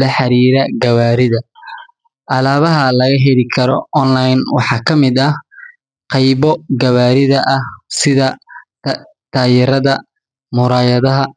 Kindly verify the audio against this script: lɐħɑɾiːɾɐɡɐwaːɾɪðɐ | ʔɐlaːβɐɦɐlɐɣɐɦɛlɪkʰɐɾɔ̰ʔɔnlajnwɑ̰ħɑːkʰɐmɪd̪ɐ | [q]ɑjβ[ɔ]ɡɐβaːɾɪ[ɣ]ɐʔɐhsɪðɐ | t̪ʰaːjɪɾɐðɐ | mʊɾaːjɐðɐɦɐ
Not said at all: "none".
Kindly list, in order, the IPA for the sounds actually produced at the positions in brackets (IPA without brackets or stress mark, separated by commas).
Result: q, ɔ, ð